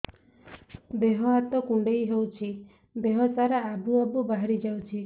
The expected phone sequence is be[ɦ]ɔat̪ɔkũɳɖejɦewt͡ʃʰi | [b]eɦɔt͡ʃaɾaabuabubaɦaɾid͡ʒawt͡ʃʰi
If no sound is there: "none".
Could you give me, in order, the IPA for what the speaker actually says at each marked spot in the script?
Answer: ɦ, b

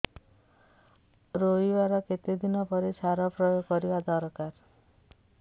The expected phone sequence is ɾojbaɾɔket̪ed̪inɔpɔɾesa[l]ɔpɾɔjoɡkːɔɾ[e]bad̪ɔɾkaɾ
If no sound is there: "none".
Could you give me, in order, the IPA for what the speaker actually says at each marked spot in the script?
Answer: ɾ, i

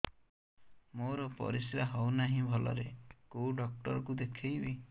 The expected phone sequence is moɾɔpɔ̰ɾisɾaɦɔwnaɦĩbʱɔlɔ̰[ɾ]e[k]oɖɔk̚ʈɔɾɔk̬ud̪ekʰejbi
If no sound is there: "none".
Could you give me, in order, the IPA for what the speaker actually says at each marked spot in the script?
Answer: ɾ, k

